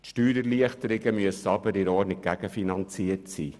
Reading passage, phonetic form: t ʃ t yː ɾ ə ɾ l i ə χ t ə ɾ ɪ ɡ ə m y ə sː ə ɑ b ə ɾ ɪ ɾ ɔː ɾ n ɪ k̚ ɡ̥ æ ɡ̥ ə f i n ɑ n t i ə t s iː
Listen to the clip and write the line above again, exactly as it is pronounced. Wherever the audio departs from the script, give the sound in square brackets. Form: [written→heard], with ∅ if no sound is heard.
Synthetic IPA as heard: t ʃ t yː ɾ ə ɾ l i ə χ t ə ɾ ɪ ɡ ə m y ə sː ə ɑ b ə ɾ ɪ ɾ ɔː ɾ n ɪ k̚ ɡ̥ æ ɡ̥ ə f i n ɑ n [t→t͡s] i ə t s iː

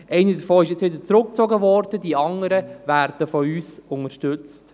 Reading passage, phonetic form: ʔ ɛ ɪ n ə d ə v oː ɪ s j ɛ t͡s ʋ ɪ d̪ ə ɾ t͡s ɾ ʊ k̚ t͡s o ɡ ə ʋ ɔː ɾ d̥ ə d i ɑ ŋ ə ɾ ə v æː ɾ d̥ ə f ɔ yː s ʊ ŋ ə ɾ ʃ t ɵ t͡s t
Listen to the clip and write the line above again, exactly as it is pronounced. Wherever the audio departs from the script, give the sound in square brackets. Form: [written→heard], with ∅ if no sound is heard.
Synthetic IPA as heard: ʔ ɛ ɪ n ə d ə [v→f] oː ɪ [s→ʃ] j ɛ t͡s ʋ ɪ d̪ ə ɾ t͡s ɾ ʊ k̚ t͡s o ɡ ə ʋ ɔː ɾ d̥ ə d i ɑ ŋ ə ɾ ə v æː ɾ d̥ ə f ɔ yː s ʊ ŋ ə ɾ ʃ t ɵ t͡s t

